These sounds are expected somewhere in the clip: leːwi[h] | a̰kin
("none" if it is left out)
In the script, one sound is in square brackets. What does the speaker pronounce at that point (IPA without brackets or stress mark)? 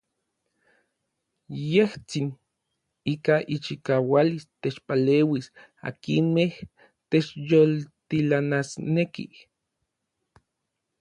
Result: s